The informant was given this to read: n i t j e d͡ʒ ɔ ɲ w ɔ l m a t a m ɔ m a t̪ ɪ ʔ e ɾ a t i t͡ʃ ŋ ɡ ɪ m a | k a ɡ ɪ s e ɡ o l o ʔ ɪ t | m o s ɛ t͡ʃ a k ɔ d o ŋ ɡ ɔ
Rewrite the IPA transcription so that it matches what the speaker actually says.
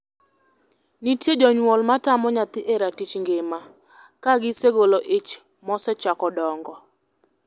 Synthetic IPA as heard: n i t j e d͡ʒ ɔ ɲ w ɔ l m a t a m ɔ ɲ a t̪ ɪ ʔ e ɾ a t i t͡ʃ ŋ ɡ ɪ m a | k a ɡ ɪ s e ɡ o l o ʔ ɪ t͡ʃ | m ɔ s ɛ t͡ʃ a k ɔ d ɔ ŋ ɡ ɔ